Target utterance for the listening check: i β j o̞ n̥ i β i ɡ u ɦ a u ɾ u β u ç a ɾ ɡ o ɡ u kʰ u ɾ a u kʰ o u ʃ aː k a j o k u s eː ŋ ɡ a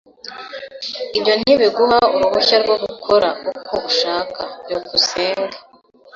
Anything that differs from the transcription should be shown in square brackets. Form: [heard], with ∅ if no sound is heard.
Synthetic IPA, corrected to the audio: i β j o̞ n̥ i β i ɡ u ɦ a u ɾ u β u ç a ɾ ɡ o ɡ u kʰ [o] ɾ a u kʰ o u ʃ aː k a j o k u s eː ŋ ɡ a